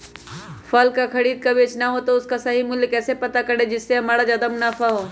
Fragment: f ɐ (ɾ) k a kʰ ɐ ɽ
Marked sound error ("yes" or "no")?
yes